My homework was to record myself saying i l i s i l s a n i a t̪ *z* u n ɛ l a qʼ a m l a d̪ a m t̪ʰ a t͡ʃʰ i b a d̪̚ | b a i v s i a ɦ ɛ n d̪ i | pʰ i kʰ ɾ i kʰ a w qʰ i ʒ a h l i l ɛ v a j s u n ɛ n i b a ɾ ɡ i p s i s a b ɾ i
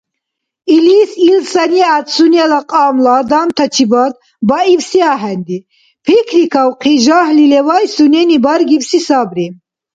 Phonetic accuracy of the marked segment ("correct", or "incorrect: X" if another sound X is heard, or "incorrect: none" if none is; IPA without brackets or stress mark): incorrect: s